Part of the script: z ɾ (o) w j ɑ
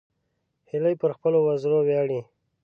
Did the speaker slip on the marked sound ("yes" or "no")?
no